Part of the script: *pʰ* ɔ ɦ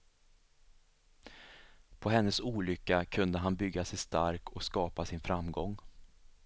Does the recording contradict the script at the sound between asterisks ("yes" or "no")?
no